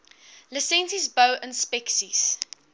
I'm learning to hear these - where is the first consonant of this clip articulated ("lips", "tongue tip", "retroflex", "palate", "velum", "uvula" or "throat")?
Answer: tongue tip